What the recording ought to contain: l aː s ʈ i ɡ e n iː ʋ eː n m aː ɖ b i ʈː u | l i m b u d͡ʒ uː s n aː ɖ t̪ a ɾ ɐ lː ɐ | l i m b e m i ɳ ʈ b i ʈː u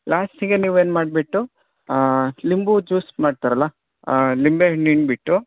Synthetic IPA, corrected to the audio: l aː s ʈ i ɡ e n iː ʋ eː n m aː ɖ b i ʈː u | l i m b u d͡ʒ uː s m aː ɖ t̪ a ɾ ɐ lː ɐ | l i m b e n i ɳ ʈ b i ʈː u